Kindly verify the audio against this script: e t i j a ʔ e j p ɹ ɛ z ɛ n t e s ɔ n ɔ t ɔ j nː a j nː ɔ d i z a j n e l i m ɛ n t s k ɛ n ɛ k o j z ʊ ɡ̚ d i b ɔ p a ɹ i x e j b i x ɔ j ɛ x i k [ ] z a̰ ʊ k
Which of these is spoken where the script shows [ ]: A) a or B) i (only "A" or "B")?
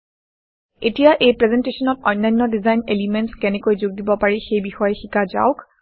A